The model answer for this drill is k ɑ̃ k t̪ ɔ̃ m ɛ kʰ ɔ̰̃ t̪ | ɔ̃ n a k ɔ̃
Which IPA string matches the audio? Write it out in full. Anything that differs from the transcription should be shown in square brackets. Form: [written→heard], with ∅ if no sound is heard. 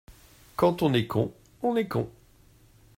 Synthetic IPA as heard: k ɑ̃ [k→∅] t̪ ɔ̃ [m→n] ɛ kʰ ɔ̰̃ [t̪→∅] | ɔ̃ n [a→ɛ] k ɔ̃